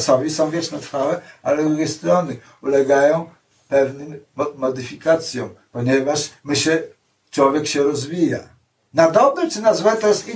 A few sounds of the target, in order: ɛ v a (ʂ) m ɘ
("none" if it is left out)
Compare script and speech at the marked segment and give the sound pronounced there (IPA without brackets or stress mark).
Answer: ʂ